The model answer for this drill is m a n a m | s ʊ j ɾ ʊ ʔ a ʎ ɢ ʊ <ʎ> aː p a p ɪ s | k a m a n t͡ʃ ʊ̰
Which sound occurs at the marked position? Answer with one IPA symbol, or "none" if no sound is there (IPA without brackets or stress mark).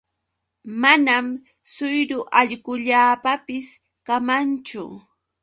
ʎ